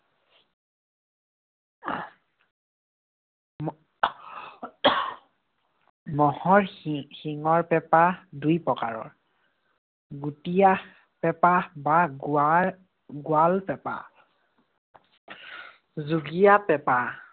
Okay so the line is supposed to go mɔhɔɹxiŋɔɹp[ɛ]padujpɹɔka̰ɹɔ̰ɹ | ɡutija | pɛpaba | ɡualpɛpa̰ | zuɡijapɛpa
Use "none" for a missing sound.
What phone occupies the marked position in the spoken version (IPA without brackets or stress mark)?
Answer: ɛ